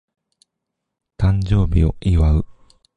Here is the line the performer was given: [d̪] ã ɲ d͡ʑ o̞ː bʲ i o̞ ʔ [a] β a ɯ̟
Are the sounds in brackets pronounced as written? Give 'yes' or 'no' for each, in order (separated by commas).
no, no